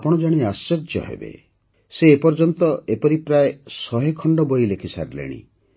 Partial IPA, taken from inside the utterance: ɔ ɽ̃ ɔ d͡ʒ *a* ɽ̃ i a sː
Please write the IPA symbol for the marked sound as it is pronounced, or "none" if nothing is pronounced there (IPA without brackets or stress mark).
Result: a